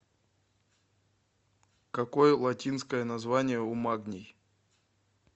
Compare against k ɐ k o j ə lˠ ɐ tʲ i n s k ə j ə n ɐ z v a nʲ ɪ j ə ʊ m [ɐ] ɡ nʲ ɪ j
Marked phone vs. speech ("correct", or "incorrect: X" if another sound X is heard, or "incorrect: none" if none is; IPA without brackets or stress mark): incorrect: a